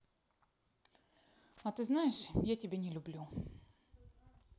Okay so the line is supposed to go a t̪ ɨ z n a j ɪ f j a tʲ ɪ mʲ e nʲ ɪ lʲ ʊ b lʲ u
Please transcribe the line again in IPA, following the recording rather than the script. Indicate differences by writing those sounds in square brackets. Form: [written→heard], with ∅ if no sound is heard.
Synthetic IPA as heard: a t̪ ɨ z n a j ɪ [f→ʂ] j a tʲ ɪ [mʲ→bʲ] e nʲ ɪ lʲ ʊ b lʲ u